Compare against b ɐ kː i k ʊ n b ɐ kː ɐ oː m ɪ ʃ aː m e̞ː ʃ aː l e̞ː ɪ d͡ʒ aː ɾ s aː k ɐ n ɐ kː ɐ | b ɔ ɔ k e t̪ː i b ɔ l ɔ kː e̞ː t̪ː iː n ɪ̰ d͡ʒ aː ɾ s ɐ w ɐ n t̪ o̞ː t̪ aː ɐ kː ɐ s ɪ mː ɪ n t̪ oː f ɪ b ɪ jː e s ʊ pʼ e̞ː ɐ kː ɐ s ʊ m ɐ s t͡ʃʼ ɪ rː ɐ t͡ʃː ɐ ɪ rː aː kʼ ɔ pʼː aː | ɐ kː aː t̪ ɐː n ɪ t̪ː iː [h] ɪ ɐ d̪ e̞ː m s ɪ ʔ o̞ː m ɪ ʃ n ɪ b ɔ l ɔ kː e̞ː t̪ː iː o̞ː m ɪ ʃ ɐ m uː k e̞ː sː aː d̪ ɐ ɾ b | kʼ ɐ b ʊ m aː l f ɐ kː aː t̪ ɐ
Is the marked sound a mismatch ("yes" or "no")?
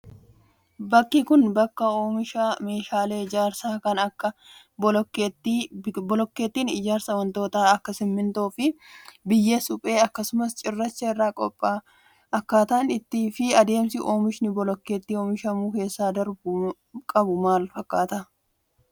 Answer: yes